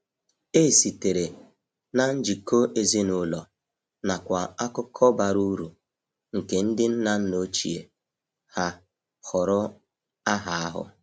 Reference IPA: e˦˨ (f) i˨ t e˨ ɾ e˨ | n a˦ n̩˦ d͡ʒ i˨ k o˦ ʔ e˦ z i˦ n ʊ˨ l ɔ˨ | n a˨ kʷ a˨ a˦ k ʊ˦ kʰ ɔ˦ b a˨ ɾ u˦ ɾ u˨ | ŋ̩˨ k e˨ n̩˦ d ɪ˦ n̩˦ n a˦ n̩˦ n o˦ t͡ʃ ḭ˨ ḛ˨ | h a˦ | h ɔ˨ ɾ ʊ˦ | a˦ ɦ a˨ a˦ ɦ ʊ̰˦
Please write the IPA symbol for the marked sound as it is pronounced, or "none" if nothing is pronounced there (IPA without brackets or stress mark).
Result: s